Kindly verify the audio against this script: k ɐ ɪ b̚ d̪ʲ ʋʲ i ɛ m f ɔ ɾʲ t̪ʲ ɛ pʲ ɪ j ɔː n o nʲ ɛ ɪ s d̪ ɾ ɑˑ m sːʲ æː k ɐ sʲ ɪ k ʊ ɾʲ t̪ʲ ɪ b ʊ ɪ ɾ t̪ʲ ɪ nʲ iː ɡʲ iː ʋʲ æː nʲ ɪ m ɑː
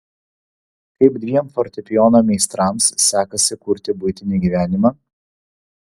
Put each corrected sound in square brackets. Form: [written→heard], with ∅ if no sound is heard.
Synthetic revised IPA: k ɐ ɪ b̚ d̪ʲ ʋʲ i ɛ m f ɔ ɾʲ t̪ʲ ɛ pʲ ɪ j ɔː n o [nʲ→mʲ] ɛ ɪ s [d̪→t̪] ɾ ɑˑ m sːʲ æː k ɐ sʲ ɪ k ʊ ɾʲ t̪ʲ ɪ b ʊ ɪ [ɾ→∅] t̪ʲ ɪ nʲ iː ɡʲ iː ʋʲ æː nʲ ɪ m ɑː